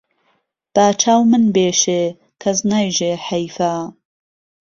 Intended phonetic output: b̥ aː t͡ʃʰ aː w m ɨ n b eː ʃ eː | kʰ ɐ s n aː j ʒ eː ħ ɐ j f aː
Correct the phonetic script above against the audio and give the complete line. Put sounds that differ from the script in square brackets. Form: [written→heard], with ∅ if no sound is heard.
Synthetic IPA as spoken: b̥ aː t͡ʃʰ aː w m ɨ n b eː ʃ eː | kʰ ɐ [s→z] n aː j ʒ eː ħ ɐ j f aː